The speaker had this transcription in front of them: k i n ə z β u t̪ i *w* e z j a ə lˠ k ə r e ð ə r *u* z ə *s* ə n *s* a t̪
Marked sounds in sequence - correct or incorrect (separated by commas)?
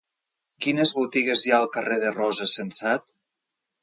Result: incorrect, incorrect, correct, correct